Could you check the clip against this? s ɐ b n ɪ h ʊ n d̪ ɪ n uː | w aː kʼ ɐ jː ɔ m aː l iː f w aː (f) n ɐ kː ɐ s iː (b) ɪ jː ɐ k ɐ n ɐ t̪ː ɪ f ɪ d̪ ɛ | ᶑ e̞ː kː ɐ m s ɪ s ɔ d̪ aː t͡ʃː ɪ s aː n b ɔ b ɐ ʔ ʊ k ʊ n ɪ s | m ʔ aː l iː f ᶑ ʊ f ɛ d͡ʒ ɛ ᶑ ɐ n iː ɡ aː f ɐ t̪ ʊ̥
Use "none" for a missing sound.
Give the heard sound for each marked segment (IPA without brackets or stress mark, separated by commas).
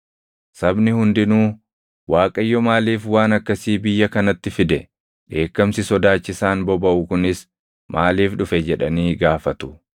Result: none, b